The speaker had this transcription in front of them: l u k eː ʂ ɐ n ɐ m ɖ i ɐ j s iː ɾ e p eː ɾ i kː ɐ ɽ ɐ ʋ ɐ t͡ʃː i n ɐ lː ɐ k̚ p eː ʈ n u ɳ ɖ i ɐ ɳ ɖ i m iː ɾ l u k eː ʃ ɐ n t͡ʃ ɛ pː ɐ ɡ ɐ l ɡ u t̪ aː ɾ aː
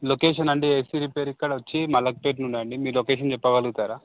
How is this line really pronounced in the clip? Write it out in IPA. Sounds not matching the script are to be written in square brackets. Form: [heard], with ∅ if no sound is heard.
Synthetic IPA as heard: l [o] k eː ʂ ɐ n ɐ [ɳ] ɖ i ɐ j s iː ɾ [i] p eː ɾ i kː ɐ ɽ ɐ ʋ ɐ t͡ʃː i [m] ɐ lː ɐ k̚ p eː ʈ n u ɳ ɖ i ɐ ɳ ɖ i m iː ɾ l [o] k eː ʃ ɐ n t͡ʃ ɛ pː ɐ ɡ ɐ l ɡ u t̪ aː ɾ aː

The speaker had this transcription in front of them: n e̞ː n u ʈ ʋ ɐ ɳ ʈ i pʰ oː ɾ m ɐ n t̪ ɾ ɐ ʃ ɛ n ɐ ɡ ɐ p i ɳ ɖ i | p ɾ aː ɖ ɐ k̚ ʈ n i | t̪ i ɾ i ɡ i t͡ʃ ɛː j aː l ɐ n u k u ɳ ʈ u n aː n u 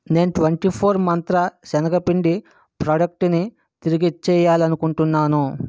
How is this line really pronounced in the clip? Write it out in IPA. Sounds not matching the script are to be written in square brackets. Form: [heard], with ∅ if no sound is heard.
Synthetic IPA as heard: n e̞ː n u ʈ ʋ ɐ ɳ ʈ i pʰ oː ɾ m ɐ n t̪ ɾ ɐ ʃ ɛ n ɐ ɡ ɐ p i ɳ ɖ i | p ɾ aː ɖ ɐ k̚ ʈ n i | t̪ i ɾ i ɡ i t͡ʃ ɛː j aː l ɐ n u k u ɳ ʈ u [nː] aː n u

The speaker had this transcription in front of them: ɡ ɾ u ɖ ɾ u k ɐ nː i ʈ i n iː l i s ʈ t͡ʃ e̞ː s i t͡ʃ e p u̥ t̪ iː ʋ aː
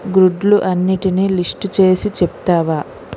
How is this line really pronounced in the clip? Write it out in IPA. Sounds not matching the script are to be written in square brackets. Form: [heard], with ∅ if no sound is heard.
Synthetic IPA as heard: ɡ ɾ u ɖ [l] u [ʔ] ɐ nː i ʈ i n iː l i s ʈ t͡ʃ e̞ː s i t͡ʃ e p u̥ t̪ [aː] ʋ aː

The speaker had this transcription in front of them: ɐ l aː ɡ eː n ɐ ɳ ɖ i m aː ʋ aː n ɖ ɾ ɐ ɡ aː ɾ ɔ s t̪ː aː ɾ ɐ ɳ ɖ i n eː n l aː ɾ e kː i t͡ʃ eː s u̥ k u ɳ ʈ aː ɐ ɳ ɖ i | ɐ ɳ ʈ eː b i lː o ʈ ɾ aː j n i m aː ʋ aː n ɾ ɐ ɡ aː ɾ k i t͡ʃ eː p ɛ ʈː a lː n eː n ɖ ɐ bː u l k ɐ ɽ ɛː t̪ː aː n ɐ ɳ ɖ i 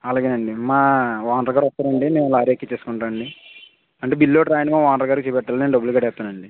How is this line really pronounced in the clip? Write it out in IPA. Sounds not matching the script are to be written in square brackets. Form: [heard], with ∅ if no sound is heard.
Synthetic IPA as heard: ɐ l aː ɡ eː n ɐ ɳ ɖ i m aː ʋ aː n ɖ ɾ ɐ ɡ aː ɾ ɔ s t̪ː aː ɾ ɐ ɳ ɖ i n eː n l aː ɾ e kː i t͡ʃ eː s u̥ k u ɳ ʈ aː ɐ ɳ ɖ i | ɐ ɳ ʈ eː b i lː o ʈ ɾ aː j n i m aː ʋ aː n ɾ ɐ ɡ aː ɾ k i t͡ʃ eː p ɛ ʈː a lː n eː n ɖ ɐ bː u l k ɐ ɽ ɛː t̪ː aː n ɐ ɳ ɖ i

